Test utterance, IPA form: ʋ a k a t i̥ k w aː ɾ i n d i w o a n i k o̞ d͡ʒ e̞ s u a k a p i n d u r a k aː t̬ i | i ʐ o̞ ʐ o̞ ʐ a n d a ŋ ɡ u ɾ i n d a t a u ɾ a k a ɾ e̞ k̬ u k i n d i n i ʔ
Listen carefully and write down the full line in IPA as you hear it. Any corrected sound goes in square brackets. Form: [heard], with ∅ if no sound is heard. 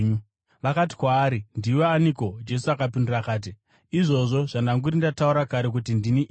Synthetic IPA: ʋ a k a t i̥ k w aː ɾ i n d i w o a n i k o̞ d͡ʒ e̞ s u a k a p i n d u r a k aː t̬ i | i ʐ o̞ ʐ o̞ ʐ a n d a ŋ ɡ u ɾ i n d a t a u ɾ a k a ɾ e̞ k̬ u [t] i n d i n i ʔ